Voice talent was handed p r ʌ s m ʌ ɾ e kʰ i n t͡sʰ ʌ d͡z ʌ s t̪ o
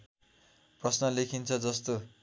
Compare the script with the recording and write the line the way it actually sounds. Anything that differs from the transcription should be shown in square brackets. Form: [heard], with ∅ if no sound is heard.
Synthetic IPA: p r ʌ s [n] ʌ [l] e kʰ i n t͡sʰ ʌ d͡z ʌ s t̪ o